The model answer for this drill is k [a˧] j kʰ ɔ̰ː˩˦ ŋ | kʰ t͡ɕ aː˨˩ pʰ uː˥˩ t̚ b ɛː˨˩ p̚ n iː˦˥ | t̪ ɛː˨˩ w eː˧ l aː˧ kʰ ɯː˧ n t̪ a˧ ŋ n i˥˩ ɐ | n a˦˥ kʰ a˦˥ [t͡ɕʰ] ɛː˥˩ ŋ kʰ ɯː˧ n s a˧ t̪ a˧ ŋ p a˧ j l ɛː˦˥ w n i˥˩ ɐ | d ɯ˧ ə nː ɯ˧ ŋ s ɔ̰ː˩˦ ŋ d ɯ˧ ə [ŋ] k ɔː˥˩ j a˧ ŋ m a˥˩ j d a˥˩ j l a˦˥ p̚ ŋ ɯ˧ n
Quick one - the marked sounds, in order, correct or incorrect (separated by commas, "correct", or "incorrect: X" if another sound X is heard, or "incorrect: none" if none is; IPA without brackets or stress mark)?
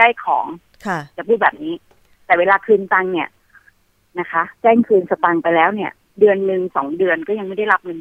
incorrect: a˥˩, incorrect: t͡ɕ, incorrect: n